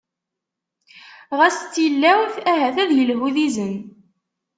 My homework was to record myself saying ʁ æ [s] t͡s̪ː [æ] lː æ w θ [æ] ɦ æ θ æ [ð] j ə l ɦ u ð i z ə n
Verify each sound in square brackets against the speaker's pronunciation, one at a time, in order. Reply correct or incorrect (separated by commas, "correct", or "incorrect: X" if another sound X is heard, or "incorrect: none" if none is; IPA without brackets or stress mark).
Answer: correct, incorrect: i, correct, correct